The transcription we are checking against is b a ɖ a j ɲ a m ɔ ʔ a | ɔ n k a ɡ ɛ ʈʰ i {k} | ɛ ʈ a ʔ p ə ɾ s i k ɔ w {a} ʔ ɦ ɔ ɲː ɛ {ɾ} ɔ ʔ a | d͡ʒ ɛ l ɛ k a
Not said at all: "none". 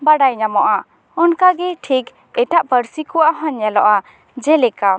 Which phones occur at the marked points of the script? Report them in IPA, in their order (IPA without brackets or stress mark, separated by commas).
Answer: k, a, l